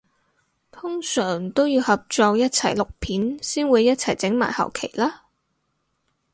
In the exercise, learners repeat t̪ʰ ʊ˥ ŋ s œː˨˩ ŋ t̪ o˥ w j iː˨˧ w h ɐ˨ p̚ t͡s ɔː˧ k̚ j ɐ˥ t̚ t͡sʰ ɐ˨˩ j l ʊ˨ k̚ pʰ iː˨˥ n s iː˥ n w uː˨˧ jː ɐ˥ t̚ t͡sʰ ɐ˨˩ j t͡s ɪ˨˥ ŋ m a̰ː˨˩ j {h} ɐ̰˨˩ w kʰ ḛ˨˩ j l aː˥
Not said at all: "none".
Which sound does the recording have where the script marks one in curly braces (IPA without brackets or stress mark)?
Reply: h